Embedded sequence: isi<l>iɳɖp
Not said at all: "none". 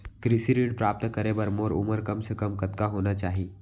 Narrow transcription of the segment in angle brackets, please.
ɾ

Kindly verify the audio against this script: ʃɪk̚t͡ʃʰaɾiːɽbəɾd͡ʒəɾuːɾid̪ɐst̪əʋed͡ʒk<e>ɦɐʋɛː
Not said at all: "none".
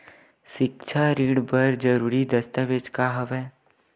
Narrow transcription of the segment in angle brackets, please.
a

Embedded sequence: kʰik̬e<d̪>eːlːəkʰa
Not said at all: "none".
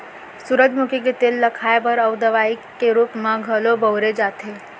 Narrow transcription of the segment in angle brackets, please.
t̪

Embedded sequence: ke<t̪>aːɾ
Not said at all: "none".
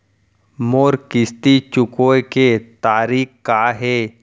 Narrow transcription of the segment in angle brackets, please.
t̪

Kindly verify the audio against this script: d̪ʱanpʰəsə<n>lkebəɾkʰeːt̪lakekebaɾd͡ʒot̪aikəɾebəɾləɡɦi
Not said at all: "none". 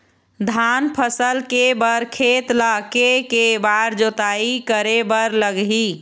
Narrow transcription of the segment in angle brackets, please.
none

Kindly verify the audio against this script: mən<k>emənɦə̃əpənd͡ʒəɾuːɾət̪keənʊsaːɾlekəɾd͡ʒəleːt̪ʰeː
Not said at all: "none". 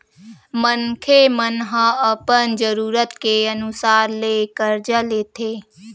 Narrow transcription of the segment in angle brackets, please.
kʰ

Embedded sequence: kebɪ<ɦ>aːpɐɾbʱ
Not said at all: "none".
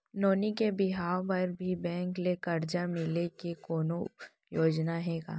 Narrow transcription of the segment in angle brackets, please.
ɦ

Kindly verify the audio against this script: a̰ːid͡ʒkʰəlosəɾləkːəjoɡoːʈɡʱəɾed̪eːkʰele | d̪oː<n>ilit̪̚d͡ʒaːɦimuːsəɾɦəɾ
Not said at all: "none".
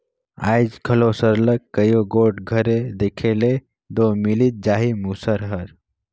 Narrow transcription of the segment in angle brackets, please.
m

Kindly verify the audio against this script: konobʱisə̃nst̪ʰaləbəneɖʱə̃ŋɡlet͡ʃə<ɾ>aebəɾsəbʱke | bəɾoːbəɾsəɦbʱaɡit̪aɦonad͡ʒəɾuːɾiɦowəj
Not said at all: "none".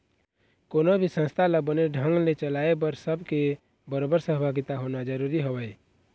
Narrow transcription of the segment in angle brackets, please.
l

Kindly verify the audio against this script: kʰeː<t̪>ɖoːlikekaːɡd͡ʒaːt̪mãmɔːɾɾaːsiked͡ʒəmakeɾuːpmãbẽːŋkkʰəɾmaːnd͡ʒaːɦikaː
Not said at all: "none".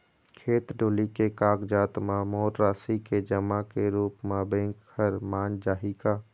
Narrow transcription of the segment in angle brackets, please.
t̪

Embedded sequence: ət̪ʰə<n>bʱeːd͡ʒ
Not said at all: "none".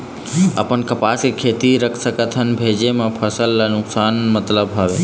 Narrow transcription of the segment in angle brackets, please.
n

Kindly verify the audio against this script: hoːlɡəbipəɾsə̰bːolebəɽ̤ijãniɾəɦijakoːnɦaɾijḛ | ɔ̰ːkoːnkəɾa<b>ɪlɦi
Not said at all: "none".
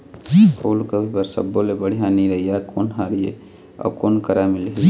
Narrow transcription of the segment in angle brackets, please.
m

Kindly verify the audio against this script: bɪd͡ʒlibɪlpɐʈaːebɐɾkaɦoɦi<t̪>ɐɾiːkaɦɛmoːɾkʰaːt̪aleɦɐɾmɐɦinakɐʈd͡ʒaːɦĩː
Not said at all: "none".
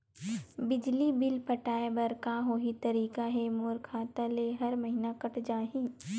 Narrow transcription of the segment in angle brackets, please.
t̪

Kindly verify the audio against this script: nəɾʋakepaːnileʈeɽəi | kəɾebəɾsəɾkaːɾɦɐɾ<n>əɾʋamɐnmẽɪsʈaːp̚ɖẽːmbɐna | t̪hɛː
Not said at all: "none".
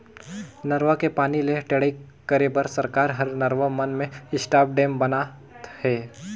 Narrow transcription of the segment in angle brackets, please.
n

